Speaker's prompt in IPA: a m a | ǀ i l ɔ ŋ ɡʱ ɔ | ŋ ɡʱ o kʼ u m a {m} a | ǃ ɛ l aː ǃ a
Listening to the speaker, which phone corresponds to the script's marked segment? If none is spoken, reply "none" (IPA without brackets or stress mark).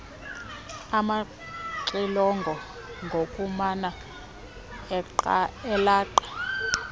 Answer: n